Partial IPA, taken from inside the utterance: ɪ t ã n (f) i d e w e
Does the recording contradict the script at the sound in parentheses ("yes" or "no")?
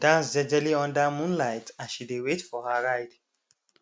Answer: yes